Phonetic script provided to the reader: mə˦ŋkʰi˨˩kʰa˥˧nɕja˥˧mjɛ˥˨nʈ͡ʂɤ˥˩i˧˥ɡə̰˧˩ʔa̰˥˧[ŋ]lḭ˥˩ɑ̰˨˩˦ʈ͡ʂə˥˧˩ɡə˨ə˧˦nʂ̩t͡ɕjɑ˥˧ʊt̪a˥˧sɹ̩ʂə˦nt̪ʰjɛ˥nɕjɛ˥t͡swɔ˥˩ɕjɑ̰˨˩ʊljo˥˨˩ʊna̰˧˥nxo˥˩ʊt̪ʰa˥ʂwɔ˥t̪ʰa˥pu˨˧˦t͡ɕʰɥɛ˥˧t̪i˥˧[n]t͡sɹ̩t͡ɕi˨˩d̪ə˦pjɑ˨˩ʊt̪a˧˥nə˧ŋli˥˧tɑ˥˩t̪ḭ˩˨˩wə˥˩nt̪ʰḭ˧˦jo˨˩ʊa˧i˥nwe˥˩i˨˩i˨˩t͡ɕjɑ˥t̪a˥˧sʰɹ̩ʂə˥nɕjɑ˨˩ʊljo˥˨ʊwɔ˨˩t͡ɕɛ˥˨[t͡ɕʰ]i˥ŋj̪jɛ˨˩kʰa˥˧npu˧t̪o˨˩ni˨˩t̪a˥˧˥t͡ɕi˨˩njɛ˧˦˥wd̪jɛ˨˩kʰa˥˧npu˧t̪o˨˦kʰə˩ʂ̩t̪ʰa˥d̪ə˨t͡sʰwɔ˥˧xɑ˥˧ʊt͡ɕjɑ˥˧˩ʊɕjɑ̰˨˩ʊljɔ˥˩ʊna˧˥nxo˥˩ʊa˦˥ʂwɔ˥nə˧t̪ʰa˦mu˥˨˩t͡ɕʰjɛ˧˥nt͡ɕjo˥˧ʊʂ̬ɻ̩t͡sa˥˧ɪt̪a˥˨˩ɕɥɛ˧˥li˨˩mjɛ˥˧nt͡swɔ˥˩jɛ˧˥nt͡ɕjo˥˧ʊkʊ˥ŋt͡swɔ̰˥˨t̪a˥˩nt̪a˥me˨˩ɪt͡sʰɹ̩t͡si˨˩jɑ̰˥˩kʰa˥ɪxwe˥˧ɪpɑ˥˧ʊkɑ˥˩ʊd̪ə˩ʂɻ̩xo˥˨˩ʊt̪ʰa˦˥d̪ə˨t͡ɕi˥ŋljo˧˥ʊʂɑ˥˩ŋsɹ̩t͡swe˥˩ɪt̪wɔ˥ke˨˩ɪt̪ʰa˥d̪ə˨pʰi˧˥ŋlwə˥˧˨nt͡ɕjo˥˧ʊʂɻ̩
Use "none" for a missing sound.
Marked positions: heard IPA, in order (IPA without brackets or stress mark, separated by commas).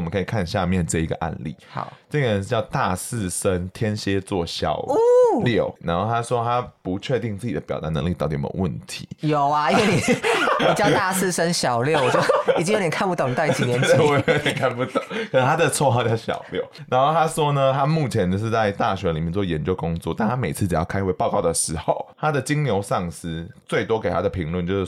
n, ŋ, t͡ɕ